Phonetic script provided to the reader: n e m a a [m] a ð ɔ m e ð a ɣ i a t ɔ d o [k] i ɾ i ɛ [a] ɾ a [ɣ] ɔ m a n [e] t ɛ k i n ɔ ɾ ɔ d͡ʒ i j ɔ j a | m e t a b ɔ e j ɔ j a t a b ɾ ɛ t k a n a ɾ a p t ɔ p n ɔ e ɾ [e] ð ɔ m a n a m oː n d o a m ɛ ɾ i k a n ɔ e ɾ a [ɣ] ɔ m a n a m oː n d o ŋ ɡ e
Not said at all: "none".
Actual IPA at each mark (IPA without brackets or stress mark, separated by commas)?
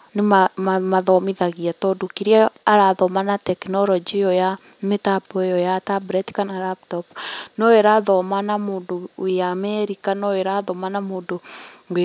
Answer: m, k, a, ð, a, a, ð